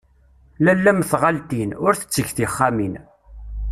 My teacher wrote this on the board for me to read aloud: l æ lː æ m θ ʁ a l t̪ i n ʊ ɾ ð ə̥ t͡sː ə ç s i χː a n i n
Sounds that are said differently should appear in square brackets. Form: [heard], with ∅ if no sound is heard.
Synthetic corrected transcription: l æ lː æ m θ ʁ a l t̪ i n ʊ ɾ [θ] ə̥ t͡sː ə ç [θ] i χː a [m] i n

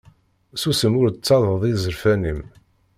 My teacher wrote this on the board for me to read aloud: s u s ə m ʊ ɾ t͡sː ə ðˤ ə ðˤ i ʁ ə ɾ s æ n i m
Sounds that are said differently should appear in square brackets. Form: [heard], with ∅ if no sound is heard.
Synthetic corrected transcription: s u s ə m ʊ ɾ t͡sː [ɑ] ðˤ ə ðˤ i [z] ə ɾ [f] æ n i m

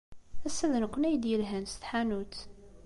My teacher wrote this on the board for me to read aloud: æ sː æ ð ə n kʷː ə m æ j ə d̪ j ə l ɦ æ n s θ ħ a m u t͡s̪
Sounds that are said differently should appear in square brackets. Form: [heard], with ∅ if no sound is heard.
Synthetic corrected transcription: æ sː æ ð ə n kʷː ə [n] æ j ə d̪ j ə l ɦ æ n s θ ħ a [n] u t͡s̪

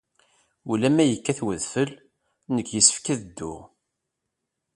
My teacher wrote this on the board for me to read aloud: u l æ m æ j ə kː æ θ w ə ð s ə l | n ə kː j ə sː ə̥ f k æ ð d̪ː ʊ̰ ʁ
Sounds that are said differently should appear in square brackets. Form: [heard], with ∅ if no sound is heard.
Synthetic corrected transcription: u l æ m æ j ə kː æ θ w ə ð [f] ə l | n ə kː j ə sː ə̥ f k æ ð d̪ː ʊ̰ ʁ

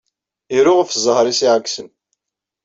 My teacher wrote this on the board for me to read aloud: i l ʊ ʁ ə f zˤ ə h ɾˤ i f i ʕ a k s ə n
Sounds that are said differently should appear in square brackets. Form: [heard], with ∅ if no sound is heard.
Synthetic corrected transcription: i [ɾ] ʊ ʁ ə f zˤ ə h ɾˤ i [s] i ʕ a k s ə n

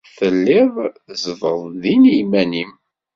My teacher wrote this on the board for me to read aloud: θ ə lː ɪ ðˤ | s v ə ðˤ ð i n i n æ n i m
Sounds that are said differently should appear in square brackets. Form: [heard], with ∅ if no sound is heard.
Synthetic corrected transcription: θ ə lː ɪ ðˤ | [z] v ə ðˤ ð i n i [m] æ n i m

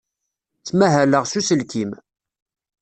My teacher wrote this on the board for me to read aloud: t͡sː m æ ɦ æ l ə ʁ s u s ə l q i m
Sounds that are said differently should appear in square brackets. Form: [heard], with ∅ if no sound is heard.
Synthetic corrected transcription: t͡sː m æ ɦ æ l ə ʁ s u s ə l [k] i m

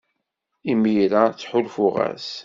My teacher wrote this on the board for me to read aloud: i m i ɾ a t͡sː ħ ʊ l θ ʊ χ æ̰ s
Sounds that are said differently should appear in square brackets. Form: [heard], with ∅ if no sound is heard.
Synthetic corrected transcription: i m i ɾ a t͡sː ħ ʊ l [f] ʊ [ʁ] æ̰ s

